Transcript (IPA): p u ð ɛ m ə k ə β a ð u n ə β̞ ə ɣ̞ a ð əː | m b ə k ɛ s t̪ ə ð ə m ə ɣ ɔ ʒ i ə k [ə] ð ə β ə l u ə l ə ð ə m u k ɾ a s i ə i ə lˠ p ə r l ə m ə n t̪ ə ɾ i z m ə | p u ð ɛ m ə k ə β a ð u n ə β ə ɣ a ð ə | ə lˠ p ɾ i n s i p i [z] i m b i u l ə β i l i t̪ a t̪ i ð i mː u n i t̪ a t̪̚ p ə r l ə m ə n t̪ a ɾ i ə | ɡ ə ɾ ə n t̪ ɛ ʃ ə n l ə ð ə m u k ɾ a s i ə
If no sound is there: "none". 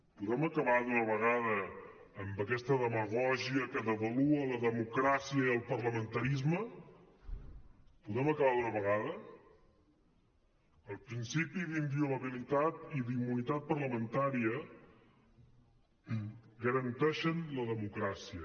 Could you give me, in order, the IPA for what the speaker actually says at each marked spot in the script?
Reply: ə, ð

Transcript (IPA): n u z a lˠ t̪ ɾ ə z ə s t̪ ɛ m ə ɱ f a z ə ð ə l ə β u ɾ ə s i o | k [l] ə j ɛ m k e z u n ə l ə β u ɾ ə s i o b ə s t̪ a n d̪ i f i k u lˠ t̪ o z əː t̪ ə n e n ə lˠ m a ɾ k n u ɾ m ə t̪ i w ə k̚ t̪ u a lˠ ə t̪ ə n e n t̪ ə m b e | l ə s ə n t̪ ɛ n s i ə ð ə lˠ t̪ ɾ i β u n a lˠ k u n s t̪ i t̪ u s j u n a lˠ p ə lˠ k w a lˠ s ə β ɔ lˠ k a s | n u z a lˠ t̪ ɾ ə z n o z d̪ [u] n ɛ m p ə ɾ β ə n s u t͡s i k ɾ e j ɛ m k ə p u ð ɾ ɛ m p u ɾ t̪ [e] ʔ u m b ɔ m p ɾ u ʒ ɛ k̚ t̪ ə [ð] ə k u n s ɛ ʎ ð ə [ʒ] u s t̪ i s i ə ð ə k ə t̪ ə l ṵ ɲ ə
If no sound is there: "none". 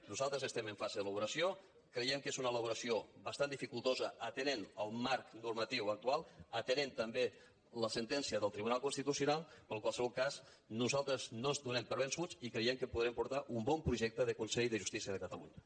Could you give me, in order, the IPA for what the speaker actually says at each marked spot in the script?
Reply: ɾ, u, a, ð, ʒ

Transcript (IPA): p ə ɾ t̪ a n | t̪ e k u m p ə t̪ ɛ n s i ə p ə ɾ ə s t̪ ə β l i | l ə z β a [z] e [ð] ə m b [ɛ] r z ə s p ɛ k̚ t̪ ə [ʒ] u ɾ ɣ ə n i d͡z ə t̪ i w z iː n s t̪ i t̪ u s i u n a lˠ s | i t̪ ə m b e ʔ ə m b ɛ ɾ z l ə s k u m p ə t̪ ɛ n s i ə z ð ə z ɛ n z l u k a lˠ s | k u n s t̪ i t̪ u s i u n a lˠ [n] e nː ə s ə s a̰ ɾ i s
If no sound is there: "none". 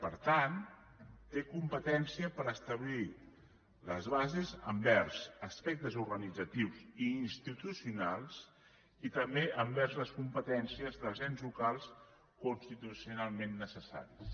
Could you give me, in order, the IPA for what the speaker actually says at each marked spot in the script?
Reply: z, z, ɛ, z, m

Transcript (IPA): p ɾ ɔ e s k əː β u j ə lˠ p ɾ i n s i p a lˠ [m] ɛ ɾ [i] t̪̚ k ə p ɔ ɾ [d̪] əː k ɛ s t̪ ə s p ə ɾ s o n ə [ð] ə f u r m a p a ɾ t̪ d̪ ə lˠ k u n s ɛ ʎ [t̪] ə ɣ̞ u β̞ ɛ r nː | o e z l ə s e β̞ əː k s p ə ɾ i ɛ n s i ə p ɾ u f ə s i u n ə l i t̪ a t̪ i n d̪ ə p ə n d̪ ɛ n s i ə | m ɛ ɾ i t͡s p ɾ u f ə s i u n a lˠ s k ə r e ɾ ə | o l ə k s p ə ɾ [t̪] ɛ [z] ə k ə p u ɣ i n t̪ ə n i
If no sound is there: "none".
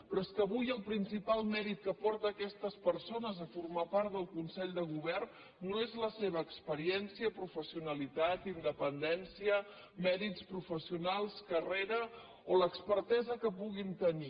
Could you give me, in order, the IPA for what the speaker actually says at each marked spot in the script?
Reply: m, i, t̪, z, d̪, t̪, z

